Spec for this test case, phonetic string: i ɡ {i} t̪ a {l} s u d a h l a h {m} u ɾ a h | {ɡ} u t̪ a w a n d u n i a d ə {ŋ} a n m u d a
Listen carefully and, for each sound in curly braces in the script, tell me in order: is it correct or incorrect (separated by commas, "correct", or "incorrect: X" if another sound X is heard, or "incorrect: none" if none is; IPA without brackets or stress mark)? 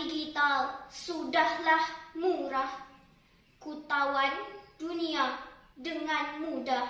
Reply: correct, correct, correct, incorrect: k, correct